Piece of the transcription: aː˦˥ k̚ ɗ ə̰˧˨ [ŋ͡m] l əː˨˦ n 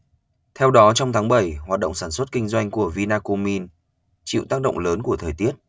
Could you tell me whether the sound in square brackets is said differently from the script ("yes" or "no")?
no